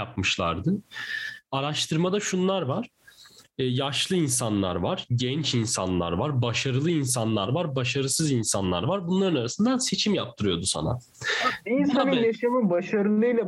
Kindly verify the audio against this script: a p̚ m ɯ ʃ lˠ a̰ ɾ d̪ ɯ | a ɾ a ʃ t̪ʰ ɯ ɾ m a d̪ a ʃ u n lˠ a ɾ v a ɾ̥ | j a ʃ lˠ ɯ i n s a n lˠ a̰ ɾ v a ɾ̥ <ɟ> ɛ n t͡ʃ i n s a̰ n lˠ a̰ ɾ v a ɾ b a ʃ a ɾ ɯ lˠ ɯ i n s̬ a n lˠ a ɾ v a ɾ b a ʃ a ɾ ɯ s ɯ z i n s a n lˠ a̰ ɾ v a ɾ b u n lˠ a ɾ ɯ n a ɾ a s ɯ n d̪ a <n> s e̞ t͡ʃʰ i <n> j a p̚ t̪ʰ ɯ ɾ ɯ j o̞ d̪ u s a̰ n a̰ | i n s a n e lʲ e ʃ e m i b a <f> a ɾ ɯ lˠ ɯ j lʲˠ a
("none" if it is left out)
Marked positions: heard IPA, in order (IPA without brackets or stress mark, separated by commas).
ɟ, n, m, ʃ